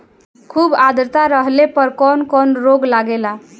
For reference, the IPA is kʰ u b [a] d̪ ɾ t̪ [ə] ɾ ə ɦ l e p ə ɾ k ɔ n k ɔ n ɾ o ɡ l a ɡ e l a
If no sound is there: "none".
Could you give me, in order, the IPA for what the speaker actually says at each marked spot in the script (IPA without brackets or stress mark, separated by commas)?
a, a